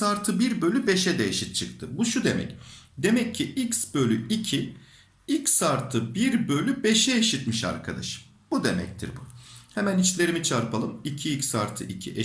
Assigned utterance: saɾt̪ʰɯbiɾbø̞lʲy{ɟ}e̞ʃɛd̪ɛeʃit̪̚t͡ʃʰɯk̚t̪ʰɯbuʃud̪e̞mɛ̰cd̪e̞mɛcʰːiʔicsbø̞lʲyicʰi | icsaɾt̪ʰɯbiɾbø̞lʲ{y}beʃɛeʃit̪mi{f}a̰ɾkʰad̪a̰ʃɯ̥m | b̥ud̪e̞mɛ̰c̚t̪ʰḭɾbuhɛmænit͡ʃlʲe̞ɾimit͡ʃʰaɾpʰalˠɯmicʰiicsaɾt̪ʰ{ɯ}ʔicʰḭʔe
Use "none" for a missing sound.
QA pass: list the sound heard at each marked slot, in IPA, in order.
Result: b, y, ʃ, ɯ

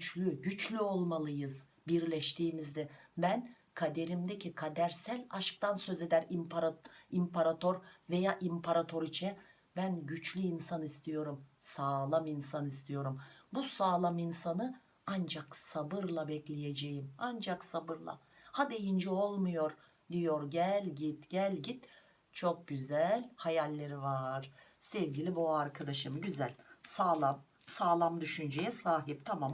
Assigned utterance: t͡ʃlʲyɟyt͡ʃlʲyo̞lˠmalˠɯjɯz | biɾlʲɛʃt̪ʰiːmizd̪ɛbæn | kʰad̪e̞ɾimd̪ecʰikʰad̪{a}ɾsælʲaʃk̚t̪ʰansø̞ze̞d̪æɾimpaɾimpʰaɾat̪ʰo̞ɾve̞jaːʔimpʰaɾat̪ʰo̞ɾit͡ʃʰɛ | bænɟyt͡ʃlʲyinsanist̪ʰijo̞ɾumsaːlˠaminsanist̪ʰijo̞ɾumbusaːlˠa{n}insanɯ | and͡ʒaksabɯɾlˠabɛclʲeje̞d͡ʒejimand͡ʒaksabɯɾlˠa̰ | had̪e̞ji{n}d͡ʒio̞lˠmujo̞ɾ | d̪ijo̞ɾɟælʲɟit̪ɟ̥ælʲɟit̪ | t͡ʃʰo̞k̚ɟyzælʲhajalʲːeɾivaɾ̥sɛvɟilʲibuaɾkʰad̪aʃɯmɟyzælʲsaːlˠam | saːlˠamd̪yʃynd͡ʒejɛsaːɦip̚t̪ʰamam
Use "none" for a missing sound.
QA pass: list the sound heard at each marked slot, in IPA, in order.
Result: æ, m, n

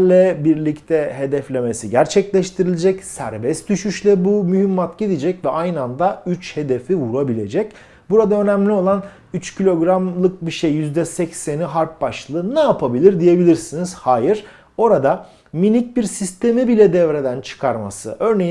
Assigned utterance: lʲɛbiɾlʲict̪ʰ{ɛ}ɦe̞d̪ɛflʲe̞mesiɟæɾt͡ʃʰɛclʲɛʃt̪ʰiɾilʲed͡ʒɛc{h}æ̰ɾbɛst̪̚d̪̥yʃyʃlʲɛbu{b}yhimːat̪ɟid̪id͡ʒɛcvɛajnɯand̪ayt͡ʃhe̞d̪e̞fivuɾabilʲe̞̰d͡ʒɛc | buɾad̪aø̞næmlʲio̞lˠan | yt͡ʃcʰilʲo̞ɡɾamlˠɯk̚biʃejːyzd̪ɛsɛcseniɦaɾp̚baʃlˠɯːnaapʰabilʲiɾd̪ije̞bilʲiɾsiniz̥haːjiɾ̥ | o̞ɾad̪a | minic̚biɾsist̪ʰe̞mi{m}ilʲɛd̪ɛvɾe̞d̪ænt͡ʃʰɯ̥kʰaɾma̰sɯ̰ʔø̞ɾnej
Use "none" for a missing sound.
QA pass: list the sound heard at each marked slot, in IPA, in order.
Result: ɛ, s, m, b

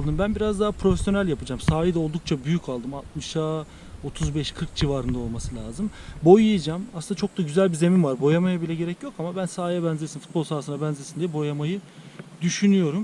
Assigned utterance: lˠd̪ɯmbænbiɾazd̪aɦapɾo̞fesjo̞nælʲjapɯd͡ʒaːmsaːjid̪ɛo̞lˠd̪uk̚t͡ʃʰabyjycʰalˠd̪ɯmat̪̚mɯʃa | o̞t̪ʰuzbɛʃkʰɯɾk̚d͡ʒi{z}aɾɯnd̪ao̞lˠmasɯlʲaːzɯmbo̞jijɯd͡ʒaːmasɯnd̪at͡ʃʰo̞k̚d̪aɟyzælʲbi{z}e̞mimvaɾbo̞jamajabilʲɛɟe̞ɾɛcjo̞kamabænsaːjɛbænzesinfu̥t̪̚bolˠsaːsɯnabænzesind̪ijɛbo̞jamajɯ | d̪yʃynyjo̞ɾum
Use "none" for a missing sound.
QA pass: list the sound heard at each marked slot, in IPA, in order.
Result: v, z

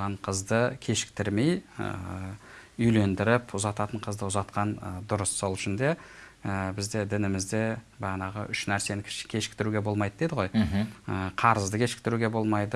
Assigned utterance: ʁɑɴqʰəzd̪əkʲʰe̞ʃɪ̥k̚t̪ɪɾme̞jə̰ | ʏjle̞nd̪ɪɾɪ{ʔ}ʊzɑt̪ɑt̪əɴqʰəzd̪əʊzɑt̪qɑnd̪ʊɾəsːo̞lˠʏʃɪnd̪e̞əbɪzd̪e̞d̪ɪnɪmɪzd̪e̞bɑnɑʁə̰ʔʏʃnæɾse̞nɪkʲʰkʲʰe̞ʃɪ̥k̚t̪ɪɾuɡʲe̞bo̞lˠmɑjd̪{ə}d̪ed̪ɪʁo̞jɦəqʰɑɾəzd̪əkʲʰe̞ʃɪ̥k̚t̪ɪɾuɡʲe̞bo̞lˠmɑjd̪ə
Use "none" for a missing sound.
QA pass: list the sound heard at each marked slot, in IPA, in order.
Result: p, ə

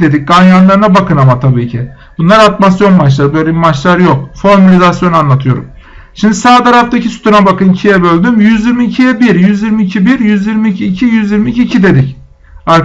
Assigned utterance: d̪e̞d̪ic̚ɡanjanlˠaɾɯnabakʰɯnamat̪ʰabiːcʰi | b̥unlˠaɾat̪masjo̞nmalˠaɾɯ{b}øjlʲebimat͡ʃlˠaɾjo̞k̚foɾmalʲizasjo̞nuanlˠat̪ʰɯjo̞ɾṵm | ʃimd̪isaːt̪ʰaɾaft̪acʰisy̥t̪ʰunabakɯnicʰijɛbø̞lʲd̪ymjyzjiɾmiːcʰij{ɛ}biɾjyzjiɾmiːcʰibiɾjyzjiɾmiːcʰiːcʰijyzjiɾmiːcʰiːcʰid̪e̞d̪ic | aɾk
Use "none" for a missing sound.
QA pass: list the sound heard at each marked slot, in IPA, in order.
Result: b, ɛ

